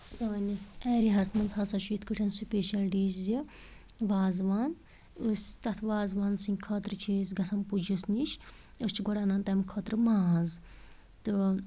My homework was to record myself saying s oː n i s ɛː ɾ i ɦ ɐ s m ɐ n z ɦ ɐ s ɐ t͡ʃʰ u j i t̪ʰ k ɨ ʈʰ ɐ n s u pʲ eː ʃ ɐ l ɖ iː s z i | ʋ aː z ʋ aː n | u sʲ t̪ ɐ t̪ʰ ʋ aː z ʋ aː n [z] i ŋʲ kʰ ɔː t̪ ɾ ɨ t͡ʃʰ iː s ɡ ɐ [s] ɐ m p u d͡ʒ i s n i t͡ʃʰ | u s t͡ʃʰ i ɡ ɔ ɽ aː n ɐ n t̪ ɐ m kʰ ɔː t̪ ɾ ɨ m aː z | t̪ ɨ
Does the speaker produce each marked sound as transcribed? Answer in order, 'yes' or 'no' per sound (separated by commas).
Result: no, yes